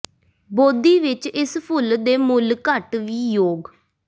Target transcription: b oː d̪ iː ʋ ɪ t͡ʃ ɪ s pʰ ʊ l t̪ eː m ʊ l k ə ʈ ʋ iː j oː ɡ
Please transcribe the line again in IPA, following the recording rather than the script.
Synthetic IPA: b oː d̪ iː ʋ ɪ t͡ʃ ɪ s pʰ ʊ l d̪ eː m ʊ l k ə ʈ ʋ iː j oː ɡ

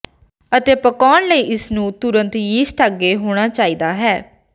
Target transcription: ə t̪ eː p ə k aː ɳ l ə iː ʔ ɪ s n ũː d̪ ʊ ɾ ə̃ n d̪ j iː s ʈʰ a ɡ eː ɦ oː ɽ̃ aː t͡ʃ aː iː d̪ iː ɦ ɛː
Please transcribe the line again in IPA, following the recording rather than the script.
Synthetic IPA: ə t̪ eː p ə k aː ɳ l ə iː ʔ ɪ s n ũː t̪ ʊ ɾ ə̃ n t̪ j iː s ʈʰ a ɡ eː ɦ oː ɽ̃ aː t͡ʃ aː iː d̪ aː ɦ ɛː

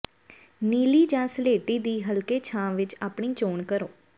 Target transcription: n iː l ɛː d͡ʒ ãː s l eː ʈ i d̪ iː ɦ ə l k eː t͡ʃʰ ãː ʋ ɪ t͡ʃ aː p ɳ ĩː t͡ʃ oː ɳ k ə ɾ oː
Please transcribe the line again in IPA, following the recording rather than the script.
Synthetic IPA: n iː l iː d͡ʒ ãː s l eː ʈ iː d̪ iː ɦ ə l k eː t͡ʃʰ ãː ʋ ɪ t͡ʃ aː p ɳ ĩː t͡ʃ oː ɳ k ə ɾ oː

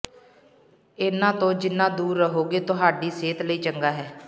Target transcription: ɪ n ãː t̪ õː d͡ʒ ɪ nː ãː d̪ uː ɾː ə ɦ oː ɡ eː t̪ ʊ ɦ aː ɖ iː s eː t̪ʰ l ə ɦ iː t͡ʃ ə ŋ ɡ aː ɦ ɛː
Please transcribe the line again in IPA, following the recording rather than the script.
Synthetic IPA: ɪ n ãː t̪ õː d͡ʒ ɪ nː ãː d̪ uː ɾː ə ɦ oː ɡ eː t̪ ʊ ɦ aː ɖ iː s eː t̪ l ə iː t͡ʃ ə ŋ ɡ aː ɦ ɛː

